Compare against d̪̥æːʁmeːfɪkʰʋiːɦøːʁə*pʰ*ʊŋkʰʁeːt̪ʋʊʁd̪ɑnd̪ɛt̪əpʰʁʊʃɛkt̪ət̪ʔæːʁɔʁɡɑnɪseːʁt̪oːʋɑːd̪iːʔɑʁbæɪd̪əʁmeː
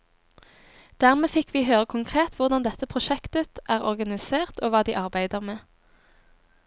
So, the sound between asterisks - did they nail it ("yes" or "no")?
no